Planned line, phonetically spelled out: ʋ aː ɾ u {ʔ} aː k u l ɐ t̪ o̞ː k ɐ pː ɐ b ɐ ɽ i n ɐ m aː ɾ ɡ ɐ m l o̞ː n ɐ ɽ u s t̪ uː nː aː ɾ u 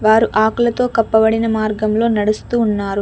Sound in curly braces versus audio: correct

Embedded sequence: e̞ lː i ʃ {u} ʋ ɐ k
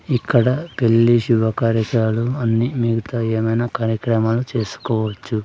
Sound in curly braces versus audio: correct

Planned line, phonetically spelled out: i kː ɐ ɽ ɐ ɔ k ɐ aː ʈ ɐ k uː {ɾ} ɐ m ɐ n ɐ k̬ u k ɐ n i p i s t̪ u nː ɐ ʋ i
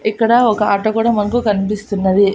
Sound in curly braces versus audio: incorrect: ɽ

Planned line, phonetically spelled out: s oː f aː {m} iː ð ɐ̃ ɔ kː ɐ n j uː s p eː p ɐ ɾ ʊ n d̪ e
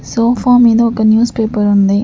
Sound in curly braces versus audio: correct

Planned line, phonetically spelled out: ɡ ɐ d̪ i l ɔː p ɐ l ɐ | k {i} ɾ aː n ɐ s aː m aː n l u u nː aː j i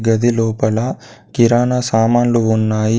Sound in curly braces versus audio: correct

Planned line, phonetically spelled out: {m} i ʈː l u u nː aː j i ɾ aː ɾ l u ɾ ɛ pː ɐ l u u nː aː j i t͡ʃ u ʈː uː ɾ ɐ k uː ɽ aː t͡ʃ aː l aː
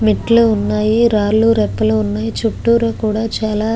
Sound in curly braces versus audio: correct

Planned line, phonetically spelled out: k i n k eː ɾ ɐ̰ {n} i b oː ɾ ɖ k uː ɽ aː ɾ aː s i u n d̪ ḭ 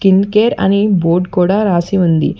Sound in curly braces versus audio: correct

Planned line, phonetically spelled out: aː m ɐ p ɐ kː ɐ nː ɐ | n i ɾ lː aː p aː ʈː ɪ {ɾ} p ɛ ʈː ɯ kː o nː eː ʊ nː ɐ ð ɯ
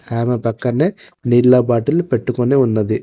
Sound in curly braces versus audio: incorrect: l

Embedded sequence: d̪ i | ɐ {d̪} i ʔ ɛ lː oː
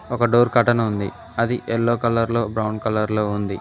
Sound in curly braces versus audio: correct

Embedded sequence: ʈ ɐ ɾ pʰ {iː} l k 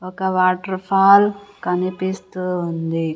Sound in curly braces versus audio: incorrect: aː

